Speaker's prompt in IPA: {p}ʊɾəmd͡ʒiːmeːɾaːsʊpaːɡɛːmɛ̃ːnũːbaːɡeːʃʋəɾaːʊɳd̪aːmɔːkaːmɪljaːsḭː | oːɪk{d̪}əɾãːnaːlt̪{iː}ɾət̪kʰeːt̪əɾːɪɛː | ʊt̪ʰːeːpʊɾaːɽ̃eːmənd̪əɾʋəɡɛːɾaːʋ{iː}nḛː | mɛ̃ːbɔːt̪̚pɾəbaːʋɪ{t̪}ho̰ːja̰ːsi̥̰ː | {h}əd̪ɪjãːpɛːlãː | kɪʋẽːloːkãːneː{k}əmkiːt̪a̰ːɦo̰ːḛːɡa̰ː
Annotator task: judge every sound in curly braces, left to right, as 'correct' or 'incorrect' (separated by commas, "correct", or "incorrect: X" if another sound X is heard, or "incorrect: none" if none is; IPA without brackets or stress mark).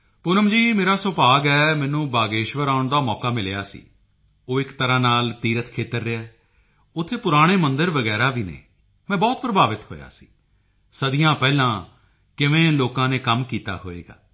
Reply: correct, incorrect: t̪, correct, correct, correct, incorrect: s, correct